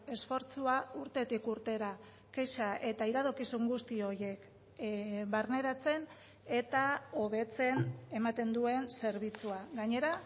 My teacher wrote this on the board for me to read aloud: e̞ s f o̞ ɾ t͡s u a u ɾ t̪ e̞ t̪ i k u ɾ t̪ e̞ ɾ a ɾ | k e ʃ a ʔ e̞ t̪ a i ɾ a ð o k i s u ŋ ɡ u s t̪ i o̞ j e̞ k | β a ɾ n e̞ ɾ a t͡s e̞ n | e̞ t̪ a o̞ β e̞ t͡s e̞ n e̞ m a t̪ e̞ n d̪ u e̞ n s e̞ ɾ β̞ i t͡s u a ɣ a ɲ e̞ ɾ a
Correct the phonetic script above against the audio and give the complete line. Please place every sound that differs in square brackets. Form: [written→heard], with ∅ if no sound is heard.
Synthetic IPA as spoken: e̞ s f o̞ ɾ t͡s u a u ɾ t̪ e̞ t̪ i k u ɾ t̪ e̞ ɾ a [ɾ→∅] | k e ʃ a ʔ e̞ t̪ a i ɾ a ð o k i s u ŋ ɡ u s t̪ i o̞ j e̞ k | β a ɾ n e̞ ɾ a t͡s e̞ n | e̞ t̪ a o̞ β e̞ t͡s e̞ n e̞ m a t̪ e̞ n d̪ u e̞ n s e̞ ɾ β̞ i t͡s u a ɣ a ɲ e̞ ɾ a